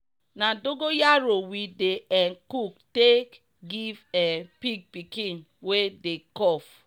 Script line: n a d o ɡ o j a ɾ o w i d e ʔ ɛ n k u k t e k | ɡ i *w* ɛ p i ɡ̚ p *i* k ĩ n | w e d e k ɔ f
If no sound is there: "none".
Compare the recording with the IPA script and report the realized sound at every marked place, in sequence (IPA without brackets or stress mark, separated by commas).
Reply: v, i